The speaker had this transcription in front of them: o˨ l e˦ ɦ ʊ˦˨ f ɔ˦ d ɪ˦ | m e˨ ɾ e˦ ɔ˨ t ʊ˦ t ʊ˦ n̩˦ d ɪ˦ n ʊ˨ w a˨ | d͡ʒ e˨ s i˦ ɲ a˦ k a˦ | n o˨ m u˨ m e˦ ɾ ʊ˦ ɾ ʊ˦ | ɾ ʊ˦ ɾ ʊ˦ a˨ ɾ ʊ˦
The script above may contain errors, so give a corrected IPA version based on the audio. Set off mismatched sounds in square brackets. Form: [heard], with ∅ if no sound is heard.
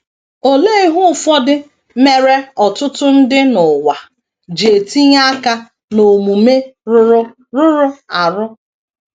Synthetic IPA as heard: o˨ l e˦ ɦ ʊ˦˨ f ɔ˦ d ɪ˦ | m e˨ ɾ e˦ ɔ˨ t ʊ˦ t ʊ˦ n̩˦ d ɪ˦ n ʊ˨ w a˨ | d͡ʒ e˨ [t] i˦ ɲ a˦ k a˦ | n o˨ m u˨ m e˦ ɾ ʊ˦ ɾ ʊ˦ | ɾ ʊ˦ ɾ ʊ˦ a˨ ɾ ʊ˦